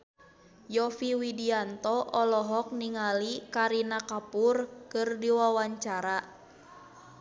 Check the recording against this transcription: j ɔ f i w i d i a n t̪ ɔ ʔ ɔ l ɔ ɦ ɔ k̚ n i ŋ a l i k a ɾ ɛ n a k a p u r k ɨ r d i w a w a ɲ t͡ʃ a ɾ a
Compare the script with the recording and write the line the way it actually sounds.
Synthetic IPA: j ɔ f i w i d i a n t̪ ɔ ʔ ɔ l ɔ ɦ ɔ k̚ n i ŋ a l i k a ɾ i n a k a p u r k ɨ r d i w a w a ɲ t͡ʃ a ɾ a